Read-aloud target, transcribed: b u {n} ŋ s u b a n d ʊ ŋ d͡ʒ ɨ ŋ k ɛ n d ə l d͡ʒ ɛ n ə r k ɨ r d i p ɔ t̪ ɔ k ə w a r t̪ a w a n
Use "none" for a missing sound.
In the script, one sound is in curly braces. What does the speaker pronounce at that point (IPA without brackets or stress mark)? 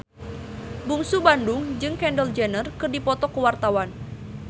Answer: none